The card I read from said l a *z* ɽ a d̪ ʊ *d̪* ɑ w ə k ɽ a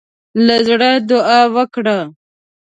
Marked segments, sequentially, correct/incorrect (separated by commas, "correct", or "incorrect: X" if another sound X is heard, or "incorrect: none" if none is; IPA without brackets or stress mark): correct, incorrect: none